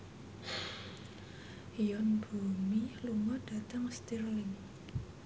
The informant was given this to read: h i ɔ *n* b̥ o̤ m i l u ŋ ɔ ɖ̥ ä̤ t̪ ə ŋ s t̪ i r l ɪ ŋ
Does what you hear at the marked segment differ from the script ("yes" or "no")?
no